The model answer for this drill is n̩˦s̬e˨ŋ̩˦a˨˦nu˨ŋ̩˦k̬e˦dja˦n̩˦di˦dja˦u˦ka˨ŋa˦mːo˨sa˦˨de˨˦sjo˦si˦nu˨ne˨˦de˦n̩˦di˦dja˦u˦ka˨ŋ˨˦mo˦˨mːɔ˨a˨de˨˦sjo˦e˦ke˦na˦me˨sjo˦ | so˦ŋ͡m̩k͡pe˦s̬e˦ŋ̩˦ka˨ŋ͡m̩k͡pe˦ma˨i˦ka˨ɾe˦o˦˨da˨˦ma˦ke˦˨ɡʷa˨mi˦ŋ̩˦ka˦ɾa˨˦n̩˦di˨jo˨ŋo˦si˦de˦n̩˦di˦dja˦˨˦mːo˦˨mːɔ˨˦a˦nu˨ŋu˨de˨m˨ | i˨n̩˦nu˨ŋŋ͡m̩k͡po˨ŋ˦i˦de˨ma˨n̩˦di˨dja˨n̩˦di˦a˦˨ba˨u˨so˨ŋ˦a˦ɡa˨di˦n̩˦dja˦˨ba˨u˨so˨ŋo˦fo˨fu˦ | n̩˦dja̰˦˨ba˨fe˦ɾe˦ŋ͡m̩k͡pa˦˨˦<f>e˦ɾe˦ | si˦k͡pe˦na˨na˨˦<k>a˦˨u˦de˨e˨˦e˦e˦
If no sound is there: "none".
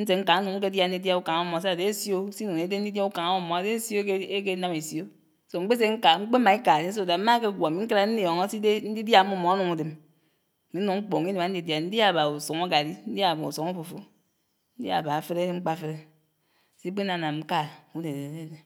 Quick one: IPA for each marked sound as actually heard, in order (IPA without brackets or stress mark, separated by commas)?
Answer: f, k